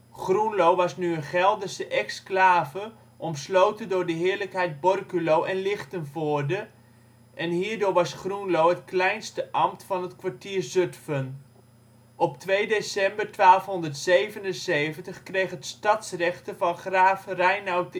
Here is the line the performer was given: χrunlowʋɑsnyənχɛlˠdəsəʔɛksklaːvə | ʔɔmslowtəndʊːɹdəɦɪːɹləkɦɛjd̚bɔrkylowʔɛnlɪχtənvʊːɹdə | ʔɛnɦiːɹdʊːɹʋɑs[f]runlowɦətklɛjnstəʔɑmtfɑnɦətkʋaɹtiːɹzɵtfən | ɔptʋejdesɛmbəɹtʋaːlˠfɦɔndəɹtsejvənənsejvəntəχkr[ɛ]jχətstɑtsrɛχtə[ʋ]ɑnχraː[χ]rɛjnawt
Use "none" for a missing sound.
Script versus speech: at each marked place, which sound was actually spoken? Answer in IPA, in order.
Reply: χ, e, v, f

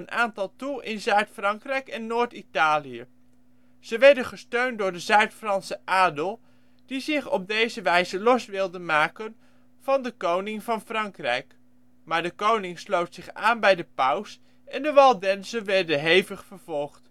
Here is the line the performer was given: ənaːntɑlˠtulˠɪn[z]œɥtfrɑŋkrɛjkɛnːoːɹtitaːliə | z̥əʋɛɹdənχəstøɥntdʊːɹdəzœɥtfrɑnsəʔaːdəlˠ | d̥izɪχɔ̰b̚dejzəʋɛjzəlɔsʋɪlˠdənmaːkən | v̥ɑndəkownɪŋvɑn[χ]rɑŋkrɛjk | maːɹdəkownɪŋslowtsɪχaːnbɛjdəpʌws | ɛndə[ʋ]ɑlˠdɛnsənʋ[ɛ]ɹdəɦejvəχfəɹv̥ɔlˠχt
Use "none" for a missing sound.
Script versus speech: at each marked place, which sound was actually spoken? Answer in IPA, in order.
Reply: z, f, ʋ, ɛ

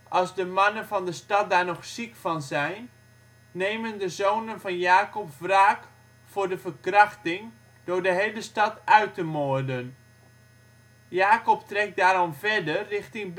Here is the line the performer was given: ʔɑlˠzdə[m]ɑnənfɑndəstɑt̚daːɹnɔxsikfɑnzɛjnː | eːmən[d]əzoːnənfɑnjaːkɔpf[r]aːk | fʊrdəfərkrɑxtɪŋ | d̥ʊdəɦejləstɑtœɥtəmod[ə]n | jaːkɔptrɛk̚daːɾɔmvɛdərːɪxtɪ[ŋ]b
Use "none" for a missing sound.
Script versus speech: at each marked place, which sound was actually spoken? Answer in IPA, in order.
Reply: m, d, r, ə, ŋ

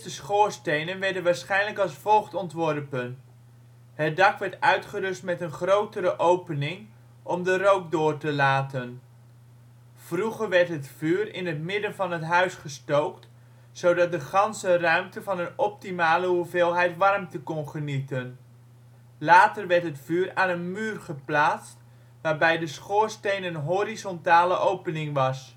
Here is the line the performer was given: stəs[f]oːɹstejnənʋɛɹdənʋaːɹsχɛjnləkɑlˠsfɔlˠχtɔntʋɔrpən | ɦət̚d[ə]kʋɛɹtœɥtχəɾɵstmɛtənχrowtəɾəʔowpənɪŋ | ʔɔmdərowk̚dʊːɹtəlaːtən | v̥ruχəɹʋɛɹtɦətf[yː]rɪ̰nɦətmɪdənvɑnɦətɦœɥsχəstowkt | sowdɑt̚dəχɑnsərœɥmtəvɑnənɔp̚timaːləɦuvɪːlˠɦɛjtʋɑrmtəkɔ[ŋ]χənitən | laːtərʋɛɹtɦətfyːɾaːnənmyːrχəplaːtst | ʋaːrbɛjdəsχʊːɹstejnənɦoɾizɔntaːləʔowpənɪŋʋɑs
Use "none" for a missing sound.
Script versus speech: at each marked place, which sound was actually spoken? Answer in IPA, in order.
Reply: χ, ɑ, yː, n

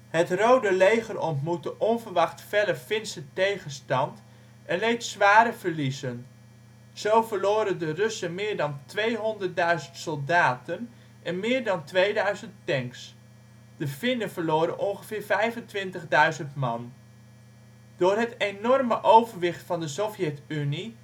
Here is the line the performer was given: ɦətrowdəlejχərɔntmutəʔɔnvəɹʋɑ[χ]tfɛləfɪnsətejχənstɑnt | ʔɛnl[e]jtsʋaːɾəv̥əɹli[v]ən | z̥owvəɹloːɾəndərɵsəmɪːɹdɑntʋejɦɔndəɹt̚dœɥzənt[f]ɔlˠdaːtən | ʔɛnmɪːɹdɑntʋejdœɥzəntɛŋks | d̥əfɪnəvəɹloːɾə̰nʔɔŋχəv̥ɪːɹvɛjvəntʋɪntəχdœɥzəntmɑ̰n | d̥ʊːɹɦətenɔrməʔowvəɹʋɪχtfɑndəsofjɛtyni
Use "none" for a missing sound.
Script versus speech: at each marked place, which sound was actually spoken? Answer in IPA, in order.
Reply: χ, e, z, s

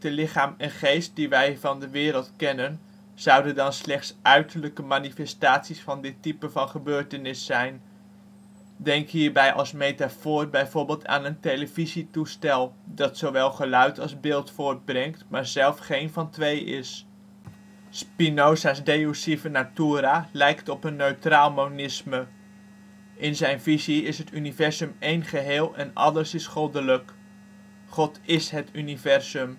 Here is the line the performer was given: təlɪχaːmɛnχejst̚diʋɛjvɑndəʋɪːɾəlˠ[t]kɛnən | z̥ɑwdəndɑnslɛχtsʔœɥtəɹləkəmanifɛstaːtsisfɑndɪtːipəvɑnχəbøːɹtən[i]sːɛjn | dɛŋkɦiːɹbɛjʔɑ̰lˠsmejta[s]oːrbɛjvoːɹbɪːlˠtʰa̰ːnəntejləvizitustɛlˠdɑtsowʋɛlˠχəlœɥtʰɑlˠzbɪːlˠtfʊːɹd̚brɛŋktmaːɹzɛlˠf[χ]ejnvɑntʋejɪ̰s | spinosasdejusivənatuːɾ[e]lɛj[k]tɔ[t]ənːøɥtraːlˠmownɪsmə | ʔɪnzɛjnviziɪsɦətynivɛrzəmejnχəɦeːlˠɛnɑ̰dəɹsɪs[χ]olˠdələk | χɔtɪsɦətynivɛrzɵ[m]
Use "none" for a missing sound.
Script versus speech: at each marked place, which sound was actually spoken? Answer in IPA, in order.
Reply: t, ɪ, f, χ, a, k, p, χ, m

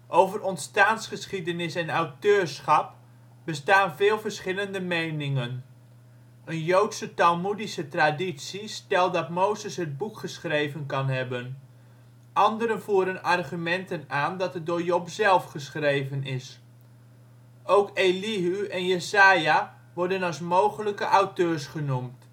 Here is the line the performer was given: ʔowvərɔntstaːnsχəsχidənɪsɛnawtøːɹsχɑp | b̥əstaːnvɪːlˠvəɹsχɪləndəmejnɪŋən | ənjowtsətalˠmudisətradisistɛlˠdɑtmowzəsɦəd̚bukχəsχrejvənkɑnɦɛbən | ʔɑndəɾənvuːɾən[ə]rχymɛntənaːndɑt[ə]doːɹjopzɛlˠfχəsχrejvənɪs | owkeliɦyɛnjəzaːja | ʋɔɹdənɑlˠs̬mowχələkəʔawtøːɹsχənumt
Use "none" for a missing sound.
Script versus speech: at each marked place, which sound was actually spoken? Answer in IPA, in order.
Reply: ɑ, ə

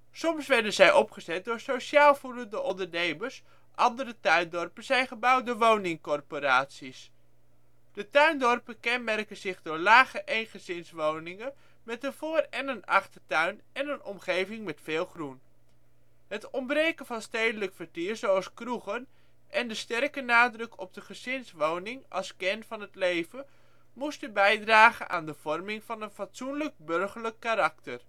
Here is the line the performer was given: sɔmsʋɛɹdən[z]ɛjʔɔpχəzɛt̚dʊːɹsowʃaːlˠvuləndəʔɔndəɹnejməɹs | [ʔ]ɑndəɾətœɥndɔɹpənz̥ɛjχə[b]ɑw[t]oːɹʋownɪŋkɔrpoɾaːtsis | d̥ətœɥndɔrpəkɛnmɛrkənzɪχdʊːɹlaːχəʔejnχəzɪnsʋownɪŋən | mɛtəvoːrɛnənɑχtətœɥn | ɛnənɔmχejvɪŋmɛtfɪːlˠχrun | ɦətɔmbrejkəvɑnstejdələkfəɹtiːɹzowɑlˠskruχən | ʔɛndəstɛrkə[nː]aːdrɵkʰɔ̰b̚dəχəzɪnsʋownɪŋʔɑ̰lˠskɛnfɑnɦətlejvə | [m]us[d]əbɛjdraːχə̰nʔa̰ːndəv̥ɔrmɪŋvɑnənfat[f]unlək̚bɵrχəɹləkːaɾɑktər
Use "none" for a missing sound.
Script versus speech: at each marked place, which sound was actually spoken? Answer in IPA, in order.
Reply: z, ʔ, b, d, n, m, t, s

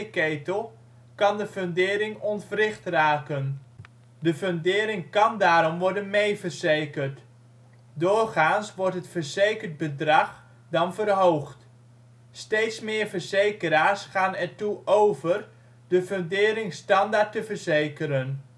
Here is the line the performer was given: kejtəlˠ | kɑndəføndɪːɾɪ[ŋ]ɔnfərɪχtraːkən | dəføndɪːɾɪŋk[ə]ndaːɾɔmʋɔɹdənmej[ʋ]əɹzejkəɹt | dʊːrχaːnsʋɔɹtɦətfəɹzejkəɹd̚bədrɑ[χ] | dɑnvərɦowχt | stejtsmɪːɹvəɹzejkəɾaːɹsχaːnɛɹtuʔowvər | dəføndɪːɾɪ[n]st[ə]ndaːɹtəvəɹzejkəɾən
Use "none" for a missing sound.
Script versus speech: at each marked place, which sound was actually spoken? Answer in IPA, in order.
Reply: ŋ, ɑ, v, χ, ŋ, ɑ

